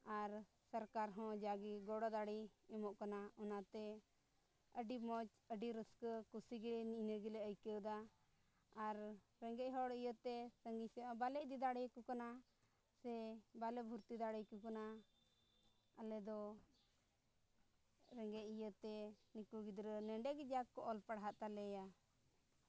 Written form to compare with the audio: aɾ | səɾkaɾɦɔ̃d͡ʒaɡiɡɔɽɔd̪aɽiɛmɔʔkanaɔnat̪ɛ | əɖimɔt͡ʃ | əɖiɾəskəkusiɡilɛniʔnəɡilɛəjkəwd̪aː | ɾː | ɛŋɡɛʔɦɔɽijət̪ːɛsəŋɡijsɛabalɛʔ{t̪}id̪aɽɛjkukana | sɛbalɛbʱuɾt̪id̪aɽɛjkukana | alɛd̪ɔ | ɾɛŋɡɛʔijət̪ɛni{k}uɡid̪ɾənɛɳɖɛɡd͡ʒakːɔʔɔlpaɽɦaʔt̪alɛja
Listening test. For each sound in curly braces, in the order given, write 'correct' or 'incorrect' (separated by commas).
incorrect, correct